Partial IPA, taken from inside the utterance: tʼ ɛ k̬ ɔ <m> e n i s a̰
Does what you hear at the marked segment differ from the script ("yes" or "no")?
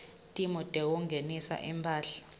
yes